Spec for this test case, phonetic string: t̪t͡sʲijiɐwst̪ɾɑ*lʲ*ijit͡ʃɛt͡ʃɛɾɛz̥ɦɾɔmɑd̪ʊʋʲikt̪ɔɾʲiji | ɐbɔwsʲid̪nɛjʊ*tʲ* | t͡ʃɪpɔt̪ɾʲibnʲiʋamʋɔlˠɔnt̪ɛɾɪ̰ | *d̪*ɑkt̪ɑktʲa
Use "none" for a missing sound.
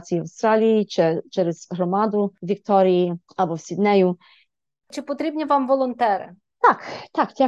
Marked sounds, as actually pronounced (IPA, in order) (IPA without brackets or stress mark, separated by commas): lʲ, none, t̪